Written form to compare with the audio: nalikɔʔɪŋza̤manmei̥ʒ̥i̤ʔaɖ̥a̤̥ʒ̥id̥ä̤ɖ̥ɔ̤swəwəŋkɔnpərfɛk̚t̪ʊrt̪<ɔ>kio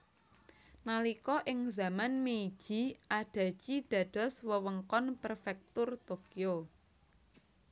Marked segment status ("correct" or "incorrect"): incorrect